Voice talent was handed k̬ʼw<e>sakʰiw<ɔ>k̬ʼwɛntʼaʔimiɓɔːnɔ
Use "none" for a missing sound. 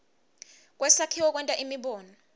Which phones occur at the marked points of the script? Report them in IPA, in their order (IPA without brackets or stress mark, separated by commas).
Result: ɛ, ɔ